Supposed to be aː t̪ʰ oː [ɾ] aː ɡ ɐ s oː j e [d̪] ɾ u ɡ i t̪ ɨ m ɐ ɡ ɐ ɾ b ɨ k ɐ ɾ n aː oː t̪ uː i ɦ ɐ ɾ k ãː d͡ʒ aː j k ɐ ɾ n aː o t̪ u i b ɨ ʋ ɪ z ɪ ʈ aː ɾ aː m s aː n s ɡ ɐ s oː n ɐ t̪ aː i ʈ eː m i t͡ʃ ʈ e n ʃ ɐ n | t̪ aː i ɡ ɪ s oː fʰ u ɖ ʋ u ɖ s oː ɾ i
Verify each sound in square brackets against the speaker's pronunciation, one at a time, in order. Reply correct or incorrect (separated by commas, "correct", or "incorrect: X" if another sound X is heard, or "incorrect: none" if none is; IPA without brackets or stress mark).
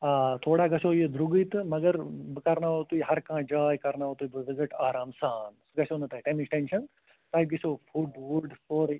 incorrect: ɽ, correct